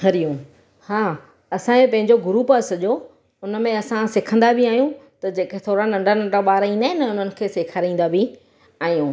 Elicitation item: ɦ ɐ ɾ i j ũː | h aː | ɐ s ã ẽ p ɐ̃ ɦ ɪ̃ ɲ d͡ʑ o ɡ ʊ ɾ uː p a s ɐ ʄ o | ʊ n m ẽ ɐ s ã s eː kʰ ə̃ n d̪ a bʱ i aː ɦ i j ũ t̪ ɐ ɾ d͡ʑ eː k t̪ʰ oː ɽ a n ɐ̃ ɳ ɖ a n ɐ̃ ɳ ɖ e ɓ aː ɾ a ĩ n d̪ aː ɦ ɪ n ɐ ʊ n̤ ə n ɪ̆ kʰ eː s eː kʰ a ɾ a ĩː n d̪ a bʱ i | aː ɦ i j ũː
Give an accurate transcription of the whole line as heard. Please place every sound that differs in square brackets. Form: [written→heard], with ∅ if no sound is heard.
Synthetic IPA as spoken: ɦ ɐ ɾ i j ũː | h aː | ɐ s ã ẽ p ɐ̃ ɦ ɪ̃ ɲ d͡ʑ o ɡ ʊ ɾ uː p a s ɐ ʄ o | ʊ n m ẽ ɐ s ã s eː kʰ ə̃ n d̪ a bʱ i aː ɦ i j ũ t̪ ɐ [ɾ→∅] d͡ʑ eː k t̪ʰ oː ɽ a n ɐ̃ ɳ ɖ a n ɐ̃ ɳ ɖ [e→a] ɓ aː ɾ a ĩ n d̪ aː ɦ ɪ n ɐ ʊ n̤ ə n ɪ̆ kʰ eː s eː kʰ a ɾ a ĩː n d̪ a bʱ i | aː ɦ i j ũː